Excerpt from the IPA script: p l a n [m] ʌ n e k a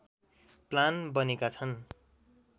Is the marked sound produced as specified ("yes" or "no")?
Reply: no